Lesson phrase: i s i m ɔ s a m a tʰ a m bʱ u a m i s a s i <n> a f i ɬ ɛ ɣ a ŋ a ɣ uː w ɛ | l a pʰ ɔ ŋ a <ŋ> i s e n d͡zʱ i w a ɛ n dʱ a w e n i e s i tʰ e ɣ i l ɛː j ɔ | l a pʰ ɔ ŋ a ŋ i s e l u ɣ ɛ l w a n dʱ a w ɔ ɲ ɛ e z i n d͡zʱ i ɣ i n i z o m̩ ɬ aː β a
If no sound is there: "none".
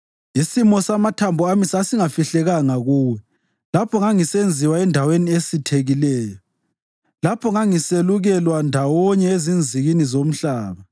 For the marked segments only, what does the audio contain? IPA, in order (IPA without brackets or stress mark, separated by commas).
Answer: ŋ, ŋ